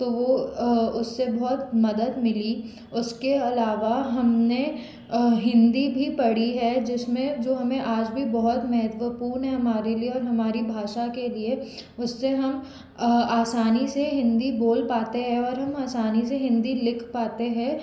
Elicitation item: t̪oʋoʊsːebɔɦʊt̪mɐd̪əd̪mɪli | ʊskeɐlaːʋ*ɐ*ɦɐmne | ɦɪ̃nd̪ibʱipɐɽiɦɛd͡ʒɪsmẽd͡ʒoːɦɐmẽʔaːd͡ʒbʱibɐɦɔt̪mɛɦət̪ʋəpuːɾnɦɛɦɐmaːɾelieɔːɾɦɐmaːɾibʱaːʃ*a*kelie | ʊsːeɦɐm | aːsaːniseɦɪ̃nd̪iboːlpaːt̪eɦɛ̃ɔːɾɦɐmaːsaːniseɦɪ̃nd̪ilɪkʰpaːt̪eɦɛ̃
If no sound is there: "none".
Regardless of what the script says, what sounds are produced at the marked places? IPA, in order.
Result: a, a

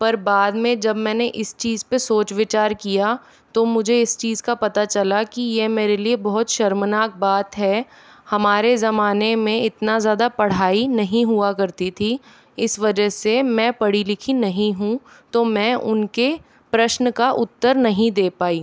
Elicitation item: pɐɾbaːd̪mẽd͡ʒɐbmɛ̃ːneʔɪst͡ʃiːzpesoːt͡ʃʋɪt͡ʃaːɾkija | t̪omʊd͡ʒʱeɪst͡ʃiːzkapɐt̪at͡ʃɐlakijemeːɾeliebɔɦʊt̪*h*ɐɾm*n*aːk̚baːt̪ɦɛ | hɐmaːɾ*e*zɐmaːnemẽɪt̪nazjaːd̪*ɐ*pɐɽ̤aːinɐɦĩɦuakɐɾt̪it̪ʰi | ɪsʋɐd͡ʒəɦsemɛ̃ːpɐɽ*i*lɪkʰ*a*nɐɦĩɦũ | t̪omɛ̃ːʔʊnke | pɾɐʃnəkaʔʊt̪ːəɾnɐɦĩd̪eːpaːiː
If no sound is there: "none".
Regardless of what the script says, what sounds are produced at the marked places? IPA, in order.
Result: ʃ, n, e, a, i, i

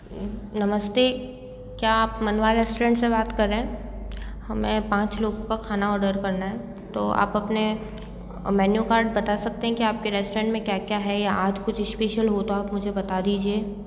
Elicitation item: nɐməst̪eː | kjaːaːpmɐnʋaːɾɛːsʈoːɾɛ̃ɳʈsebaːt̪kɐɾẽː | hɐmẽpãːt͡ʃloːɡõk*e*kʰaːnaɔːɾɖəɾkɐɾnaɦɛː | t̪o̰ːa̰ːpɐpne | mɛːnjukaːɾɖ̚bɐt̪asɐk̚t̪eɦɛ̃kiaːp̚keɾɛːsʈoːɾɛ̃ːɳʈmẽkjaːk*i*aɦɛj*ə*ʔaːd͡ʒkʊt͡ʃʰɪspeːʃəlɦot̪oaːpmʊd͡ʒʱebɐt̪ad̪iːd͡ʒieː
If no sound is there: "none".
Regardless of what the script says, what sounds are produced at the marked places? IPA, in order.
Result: a, j, a

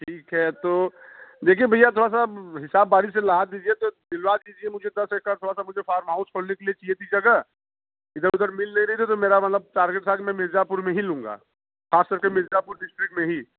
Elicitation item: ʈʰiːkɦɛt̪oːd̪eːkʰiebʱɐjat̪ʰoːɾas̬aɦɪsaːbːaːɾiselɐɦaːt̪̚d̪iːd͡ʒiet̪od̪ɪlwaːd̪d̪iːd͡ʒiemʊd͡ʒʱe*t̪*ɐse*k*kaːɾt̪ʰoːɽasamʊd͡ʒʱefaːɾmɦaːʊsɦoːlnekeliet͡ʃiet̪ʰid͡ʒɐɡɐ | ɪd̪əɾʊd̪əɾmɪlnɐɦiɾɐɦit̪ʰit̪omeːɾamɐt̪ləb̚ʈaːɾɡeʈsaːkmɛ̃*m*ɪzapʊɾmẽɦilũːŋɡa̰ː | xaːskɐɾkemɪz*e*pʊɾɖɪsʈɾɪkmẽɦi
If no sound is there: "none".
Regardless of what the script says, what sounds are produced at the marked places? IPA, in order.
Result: d̪, k, m, a

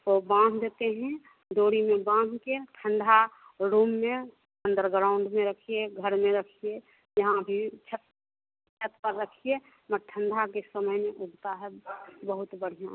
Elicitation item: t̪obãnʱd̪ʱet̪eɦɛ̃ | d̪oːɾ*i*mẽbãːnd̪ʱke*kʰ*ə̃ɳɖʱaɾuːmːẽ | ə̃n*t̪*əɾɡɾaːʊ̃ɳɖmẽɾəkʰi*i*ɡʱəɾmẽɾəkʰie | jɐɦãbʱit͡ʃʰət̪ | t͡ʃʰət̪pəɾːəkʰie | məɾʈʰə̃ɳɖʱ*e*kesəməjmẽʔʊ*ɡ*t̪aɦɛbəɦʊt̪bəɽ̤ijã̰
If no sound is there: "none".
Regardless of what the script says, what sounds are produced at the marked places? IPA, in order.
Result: i, ʈʰ, d̪, e, a, ɡ

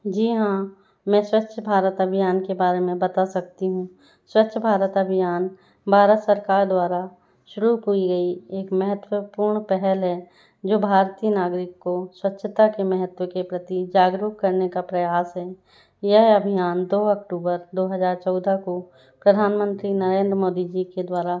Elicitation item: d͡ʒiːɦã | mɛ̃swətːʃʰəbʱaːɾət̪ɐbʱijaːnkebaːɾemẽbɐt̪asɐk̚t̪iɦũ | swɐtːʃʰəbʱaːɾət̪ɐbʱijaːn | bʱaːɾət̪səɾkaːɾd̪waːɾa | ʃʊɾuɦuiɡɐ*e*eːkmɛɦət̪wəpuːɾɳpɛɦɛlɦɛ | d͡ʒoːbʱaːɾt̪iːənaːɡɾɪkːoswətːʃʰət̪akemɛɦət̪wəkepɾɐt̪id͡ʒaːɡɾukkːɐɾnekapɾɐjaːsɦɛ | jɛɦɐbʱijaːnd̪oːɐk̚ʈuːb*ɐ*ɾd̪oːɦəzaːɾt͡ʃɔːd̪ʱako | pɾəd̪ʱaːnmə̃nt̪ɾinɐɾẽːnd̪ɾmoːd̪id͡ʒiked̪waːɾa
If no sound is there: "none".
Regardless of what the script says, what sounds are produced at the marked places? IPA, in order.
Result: i, ə

